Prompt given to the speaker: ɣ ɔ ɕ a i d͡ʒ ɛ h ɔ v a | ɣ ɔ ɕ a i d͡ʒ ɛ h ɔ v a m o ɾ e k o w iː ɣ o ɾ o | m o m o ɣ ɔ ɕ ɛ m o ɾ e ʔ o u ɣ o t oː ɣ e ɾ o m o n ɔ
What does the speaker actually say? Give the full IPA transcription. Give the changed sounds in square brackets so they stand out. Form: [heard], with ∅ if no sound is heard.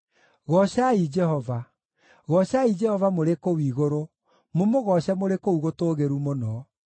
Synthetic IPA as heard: ɣ ɔ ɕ a i d͡ʒ ɛ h ɔ v a | ɣ ɔ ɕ a i d͡ʒ ɛ h ɔ v a m o ɾ e k o w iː ɣ o ɾ o | m o m o ɣ ɔ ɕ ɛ m o ɾ e [k] o u ɣ o t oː ɣ e ɾ [u] m o n ɔ